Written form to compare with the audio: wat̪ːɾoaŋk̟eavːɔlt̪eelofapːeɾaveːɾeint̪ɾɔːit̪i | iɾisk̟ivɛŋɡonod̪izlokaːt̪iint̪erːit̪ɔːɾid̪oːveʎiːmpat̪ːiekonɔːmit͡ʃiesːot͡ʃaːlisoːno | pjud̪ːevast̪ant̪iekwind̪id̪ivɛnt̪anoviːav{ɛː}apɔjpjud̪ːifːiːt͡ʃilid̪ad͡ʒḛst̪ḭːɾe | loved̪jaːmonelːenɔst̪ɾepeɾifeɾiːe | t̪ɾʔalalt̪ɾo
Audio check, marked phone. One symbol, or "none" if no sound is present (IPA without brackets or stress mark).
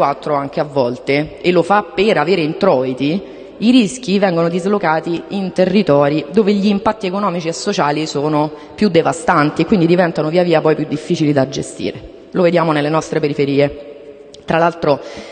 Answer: iː